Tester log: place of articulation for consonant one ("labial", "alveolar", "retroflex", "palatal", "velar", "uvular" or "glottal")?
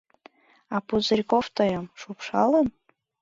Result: labial